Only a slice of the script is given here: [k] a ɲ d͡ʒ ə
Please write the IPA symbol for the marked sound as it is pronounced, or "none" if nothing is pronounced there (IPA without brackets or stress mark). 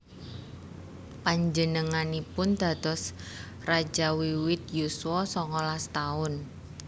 p